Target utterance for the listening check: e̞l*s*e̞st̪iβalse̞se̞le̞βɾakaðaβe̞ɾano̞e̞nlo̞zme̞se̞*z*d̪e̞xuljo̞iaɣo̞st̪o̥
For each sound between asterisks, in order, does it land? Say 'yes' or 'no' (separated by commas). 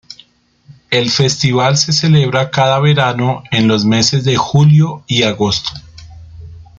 no, yes